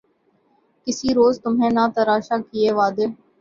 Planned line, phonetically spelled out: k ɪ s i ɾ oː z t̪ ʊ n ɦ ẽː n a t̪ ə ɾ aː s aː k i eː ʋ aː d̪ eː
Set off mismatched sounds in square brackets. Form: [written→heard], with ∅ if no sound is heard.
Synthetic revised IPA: k ɪ s i ɾ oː z t̪ ʊ [n→m] ɦ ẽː n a t̪ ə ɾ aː [s→ʃ] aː k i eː ʋ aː d̪ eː